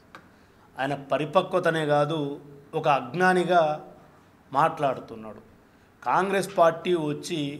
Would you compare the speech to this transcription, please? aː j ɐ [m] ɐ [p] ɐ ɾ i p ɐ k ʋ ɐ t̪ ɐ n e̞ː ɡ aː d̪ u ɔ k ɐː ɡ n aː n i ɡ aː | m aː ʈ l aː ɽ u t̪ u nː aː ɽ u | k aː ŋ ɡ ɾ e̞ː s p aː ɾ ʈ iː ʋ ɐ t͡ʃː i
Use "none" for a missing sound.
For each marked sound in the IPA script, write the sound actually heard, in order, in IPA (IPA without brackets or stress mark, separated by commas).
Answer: n, p